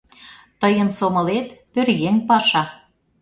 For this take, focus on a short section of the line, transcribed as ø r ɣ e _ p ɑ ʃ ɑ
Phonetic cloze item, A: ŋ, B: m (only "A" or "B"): A